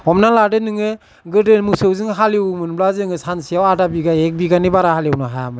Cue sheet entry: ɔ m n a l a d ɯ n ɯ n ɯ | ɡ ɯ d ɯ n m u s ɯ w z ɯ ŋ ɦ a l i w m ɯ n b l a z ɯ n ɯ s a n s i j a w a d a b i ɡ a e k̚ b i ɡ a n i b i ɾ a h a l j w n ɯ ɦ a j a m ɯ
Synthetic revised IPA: ɔ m n a l a d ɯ n ɯ ŋ ɯ | ɡ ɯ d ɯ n m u s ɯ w z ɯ ŋ ɦ a l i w m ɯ n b l a z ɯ ŋ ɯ s a n s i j a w a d a b i ɡ a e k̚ b i ɡ a n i b a ɾ a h a l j w n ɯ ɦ a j a m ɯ